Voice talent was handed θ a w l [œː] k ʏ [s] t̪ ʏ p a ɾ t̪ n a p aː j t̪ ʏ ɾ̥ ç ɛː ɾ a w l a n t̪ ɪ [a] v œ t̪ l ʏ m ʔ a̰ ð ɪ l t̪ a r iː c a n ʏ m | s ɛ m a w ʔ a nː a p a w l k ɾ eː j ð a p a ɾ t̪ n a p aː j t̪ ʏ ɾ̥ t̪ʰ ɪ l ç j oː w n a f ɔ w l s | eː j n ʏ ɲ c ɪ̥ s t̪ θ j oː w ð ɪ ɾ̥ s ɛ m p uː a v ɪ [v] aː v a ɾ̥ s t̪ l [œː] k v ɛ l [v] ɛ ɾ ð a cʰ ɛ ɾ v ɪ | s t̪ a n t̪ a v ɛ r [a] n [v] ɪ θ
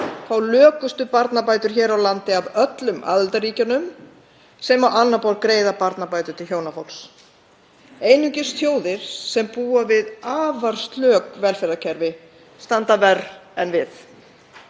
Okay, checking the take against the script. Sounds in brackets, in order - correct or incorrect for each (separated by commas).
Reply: correct, correct, correct, incorrect, correct, incorrect, incorrect, correct